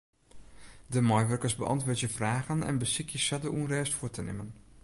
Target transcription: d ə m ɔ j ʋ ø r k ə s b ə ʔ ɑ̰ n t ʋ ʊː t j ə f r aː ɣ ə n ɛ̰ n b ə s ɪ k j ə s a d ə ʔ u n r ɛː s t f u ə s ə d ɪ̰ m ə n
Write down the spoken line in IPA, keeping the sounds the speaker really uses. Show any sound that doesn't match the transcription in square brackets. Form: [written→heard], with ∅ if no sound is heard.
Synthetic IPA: d ə m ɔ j ʋ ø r k ə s b ə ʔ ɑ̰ n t ʋ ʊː t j ə f r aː ɣ ə n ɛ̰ n b ə s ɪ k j ə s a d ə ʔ u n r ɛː s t f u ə [s→t] ə [d→n] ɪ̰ m ə n